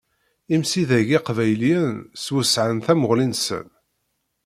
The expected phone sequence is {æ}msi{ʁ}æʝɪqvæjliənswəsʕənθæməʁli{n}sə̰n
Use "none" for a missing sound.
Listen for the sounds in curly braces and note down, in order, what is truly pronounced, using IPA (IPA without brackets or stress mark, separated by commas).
i, ð, n